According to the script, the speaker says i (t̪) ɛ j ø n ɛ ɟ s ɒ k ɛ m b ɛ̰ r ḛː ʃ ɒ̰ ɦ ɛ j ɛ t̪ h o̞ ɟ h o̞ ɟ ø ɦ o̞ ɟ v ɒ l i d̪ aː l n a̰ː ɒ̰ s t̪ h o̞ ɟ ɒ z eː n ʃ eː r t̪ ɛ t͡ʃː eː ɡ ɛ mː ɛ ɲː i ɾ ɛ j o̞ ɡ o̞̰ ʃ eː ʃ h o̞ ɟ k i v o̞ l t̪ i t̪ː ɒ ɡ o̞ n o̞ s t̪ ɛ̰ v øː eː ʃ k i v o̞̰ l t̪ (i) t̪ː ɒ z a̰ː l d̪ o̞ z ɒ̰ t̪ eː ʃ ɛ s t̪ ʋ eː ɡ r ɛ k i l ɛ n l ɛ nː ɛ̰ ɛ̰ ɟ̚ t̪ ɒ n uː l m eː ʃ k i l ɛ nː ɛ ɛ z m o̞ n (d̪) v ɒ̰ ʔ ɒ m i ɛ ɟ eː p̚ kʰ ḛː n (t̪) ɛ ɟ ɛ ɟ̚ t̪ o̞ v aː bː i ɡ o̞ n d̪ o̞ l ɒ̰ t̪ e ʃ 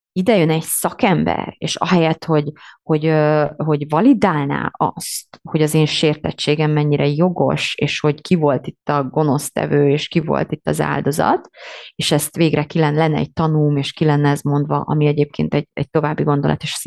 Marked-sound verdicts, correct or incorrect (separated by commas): incorrect, correct, correct, correct